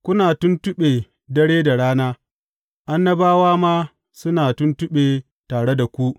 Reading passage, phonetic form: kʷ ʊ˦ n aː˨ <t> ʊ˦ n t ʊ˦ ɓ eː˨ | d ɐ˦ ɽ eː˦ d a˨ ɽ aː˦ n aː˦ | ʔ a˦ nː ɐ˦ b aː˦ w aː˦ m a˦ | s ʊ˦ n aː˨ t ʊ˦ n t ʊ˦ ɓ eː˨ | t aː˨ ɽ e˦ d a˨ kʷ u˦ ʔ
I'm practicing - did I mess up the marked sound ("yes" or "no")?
no